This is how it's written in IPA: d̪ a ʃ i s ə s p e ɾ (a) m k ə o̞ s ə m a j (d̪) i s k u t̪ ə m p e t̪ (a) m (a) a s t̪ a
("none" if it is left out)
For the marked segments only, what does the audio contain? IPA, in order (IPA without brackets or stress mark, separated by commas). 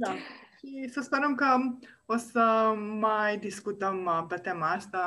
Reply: ə, d̪, e, a